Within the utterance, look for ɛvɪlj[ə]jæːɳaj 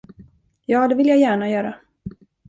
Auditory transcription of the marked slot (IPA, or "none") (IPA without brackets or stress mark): a